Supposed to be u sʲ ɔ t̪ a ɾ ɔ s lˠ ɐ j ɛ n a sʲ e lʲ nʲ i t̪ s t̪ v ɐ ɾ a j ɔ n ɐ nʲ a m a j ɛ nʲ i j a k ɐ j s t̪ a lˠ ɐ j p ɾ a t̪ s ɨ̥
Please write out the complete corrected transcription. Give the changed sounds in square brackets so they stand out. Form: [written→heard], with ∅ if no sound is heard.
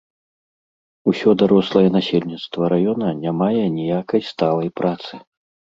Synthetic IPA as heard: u sʲ ɔ [t̪→d̪] a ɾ ɔ s lˠ ɐ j ɛ n a sʲ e lʲ nʲ i t̪ s t̪ v ɐ ɾ a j ɔ n ɐ nʲ a m a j ɛ nʲ i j a k ɐ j s t̪ a lˠ ɐ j p ɾ a t̪ s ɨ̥